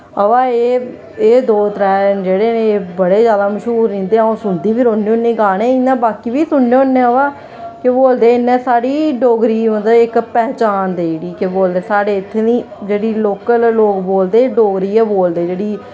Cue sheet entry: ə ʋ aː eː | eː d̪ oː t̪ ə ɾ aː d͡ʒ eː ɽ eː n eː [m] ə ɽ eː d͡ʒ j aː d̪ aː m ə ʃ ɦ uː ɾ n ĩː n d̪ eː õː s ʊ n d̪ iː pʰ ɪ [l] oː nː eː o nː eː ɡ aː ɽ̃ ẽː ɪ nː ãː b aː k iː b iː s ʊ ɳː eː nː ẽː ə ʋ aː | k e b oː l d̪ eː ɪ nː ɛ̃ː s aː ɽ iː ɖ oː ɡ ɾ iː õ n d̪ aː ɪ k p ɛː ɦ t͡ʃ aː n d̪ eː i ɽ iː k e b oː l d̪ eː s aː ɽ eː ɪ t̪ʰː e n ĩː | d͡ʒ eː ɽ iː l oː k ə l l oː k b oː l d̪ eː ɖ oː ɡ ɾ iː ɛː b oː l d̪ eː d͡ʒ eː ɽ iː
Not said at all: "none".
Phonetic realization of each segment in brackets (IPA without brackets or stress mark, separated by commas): b, ɾ